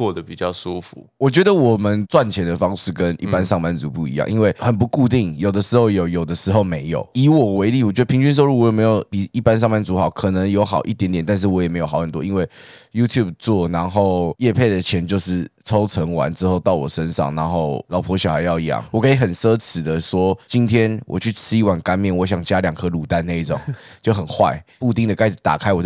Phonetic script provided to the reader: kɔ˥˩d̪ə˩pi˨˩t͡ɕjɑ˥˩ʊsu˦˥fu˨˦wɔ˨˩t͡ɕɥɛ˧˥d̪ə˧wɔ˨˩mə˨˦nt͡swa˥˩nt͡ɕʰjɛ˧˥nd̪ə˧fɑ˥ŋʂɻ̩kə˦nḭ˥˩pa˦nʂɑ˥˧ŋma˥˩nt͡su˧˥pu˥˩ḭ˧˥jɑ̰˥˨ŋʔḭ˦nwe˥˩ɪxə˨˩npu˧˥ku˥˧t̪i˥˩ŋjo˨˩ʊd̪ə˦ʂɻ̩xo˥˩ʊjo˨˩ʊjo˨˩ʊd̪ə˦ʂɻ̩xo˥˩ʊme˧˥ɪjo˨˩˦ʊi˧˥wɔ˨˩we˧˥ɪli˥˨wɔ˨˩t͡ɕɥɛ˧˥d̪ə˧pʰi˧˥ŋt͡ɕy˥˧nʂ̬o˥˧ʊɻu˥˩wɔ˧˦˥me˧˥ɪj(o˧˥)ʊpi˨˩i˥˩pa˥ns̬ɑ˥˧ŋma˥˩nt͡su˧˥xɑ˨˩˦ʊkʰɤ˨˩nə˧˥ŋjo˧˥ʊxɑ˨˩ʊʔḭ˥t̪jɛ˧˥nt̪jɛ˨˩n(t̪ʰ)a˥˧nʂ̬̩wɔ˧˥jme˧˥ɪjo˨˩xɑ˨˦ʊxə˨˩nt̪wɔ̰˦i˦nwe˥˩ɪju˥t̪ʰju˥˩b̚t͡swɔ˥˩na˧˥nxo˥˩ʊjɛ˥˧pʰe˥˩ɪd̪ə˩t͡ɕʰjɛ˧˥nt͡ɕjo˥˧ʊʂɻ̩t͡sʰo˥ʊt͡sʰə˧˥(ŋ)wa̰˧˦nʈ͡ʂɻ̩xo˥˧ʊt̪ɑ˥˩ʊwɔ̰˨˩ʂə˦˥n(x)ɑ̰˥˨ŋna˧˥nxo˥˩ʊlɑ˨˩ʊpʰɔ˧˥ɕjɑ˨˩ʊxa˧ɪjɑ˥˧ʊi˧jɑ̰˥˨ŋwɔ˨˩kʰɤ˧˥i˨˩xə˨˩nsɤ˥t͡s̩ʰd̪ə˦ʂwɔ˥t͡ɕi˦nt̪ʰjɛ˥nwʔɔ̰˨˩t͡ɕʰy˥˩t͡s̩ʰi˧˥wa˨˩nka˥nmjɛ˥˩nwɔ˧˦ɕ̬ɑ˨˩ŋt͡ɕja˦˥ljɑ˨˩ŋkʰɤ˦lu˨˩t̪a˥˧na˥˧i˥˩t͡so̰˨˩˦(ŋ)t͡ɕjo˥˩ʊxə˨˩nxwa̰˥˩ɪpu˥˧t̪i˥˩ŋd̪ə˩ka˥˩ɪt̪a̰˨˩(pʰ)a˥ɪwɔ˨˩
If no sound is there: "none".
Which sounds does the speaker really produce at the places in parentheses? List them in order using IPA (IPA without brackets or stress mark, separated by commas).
o˨˩, t̪, ŋ, ʂ, ŋ, kʰ